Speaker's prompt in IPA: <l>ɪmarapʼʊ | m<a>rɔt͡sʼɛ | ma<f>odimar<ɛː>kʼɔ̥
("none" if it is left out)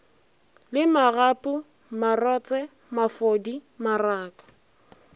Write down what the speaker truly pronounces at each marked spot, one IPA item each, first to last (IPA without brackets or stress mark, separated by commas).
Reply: l, a, f, aː